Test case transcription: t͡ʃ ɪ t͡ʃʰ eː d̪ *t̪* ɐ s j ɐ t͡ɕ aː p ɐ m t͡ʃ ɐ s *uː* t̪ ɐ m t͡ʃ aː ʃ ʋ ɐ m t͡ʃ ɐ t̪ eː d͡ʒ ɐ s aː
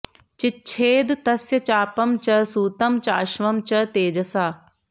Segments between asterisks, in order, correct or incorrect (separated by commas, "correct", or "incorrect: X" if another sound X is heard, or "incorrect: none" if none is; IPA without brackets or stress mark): correct, correct